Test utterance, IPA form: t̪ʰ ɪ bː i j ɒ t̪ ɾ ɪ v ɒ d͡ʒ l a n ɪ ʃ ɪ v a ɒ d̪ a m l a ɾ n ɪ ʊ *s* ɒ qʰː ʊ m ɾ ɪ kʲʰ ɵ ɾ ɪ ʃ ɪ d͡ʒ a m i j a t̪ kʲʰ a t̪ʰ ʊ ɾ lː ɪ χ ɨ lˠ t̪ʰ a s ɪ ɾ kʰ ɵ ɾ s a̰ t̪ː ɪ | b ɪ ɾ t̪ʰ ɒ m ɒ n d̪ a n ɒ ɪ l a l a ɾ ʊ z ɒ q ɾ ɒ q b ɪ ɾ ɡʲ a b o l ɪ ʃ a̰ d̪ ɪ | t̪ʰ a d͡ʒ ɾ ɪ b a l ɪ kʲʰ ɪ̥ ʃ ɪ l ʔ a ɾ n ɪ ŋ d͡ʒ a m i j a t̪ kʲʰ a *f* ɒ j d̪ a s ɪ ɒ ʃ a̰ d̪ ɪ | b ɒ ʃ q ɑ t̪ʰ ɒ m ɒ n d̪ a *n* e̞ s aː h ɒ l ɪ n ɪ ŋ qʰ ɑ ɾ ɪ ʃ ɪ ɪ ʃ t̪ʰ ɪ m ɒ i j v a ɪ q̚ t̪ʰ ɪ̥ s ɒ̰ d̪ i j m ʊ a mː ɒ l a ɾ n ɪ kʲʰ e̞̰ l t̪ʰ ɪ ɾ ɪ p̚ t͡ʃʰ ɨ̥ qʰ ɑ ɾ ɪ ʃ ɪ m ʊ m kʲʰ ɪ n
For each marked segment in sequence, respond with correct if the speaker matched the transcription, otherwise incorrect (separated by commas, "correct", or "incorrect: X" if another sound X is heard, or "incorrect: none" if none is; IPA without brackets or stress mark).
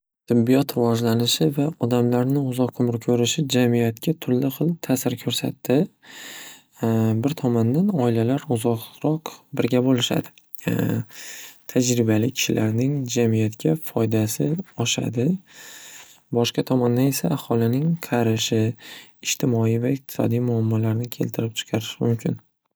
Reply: incorrect: z, correct, correct